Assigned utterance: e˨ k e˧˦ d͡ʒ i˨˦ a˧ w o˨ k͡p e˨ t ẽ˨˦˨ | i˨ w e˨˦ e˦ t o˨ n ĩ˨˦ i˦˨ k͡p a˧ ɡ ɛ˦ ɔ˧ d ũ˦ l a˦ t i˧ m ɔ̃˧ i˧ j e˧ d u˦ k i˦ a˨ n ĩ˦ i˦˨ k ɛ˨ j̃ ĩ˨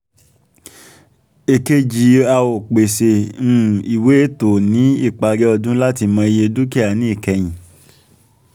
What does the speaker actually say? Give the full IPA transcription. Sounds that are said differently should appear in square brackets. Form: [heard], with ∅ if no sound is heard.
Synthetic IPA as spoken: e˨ k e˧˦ d͡ʒ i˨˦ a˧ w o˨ k͡p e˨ [s] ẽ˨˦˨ | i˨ w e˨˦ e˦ t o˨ n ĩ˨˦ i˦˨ k͡p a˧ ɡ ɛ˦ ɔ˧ d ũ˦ l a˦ t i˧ m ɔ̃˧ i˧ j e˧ d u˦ k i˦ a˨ n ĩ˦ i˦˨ k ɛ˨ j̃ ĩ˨